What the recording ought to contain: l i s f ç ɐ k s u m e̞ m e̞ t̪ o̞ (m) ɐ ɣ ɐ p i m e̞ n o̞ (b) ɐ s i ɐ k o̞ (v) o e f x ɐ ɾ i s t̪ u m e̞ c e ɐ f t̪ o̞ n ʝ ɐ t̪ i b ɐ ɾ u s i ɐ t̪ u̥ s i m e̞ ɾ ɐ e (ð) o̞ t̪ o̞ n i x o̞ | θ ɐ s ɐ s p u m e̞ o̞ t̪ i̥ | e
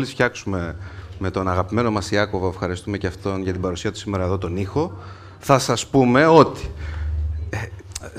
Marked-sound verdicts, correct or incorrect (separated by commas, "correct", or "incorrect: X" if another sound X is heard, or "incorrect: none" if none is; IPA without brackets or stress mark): incorrect: n, incorrect: m, correct, correct